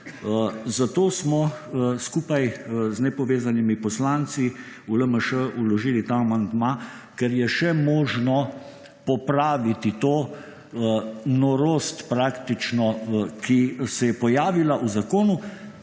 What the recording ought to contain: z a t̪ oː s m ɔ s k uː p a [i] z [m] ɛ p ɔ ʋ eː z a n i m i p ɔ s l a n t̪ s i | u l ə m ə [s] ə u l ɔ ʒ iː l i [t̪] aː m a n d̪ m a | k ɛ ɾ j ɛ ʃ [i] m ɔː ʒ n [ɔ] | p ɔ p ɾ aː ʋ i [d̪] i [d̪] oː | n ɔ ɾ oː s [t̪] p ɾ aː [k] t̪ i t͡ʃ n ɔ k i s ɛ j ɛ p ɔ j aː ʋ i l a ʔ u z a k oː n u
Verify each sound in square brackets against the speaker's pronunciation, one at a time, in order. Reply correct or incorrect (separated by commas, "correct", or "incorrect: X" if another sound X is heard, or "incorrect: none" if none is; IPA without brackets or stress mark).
incorrect: j, incorrect: n, incorrect: ʃ, correct, incorrect: ɛ, correct, incorrect: t̪, incorrect: t̪, correct, correct